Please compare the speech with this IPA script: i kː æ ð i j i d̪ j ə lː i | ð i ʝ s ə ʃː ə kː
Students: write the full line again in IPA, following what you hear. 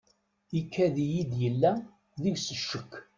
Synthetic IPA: i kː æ ð i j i d̪ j ə lː æ | ð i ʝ s ə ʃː ə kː